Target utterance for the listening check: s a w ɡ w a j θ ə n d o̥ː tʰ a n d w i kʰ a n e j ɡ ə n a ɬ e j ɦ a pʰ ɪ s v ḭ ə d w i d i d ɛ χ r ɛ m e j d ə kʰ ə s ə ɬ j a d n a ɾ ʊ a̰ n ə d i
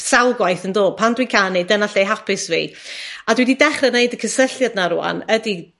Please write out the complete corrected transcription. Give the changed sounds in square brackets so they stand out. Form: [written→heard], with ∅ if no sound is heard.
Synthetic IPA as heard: s a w ɡ w a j θ ə n d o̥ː [tʰ→pʰ] a n d w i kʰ a n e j [ɡ→d] ə n a ɬ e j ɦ a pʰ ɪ s v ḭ [ə→a] d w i d i d ɛ χ r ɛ [m→n] e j d ə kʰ ə s ə ɬ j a d n a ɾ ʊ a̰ n ə d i